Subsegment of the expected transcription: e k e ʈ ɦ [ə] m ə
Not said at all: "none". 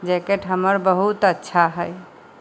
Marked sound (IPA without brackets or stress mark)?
ə